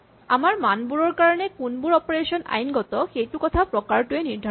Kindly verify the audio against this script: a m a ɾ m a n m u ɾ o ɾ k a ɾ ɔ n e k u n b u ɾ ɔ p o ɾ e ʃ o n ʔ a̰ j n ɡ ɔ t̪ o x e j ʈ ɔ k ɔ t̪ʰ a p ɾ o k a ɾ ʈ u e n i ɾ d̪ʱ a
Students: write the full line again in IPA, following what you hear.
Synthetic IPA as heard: a m a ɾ m a n b u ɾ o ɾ k a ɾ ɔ n e k u n b u ɾ ɔ p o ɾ e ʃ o n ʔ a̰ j n ɡ ɔ t̪ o x e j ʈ u k ɔ t̪ʰ a p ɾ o k a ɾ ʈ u e n i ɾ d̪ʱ a